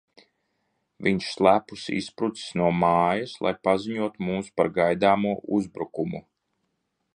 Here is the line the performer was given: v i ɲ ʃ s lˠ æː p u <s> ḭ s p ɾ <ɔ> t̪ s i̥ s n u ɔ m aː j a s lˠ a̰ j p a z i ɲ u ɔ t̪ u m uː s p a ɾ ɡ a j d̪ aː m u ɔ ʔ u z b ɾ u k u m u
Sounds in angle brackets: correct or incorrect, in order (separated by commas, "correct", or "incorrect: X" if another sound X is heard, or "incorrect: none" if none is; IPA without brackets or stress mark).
correct, incorrect: u